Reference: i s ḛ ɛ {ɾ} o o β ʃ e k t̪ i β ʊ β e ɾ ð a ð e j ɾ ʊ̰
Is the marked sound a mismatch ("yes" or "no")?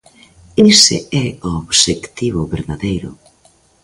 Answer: yes